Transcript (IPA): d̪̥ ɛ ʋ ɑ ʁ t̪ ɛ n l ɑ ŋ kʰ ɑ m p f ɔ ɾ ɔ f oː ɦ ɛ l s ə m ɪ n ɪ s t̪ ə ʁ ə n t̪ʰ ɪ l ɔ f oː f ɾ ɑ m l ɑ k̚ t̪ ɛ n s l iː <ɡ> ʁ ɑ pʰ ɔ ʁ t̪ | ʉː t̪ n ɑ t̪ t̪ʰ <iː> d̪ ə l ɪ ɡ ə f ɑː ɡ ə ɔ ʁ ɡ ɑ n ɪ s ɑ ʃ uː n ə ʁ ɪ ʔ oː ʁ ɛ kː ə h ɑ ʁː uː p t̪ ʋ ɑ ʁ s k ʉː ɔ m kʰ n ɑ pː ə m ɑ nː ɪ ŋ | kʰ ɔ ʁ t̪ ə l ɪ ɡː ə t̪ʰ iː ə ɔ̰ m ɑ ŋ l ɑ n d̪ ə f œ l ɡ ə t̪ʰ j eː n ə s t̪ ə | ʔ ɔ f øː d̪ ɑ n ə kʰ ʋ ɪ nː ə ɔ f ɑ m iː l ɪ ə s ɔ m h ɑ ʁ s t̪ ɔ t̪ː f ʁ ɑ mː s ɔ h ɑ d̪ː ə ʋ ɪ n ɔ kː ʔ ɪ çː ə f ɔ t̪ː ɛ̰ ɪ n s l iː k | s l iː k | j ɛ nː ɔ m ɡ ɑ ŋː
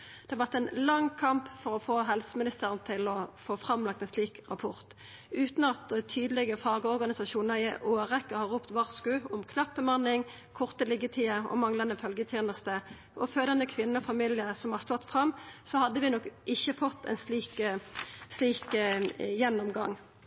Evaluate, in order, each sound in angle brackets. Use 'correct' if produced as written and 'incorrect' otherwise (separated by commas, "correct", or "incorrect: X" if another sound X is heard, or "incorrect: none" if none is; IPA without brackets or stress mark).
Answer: incorrect: k, incorrect: yː